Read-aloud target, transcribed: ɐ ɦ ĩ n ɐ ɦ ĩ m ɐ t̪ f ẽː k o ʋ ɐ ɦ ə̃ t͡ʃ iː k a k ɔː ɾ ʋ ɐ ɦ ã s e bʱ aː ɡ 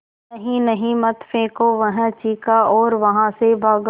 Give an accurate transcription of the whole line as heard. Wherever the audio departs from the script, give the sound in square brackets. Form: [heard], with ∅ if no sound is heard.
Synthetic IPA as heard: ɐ ɦ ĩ n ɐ ɦ ĩ m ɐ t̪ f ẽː k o ʋ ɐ ɦ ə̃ t͡ʃ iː k a [∅] ɔː ɾ ʋ ɐ ɦ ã s e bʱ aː ɡ